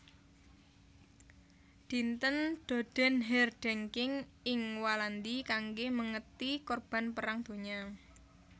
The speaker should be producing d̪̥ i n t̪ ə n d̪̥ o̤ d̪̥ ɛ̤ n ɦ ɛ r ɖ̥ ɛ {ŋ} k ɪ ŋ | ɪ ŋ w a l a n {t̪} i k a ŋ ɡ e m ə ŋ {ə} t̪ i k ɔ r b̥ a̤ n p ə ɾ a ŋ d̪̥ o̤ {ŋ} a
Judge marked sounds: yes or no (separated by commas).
yes, no, yes, no